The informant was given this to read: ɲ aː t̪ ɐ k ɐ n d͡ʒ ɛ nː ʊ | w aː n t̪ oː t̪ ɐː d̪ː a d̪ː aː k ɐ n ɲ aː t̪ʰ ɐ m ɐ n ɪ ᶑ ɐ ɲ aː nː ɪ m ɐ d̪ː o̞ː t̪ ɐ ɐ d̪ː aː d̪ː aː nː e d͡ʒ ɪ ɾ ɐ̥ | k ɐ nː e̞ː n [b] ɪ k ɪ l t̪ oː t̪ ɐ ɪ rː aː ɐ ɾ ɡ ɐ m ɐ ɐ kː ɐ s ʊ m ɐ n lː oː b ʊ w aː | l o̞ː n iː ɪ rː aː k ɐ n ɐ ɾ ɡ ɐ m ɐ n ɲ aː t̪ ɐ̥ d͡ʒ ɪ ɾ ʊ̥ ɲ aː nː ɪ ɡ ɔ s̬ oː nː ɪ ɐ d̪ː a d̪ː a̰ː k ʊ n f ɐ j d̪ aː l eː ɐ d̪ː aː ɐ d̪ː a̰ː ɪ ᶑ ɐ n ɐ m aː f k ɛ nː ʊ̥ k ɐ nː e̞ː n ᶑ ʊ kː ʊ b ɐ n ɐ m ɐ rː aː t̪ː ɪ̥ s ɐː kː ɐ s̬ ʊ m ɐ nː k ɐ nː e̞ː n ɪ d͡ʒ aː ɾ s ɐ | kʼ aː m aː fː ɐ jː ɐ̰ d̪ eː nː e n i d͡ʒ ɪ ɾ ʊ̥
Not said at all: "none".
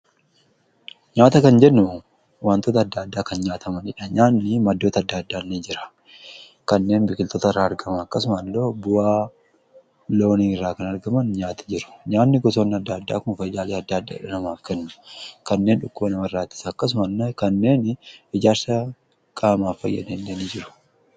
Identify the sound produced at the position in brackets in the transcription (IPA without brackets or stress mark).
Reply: b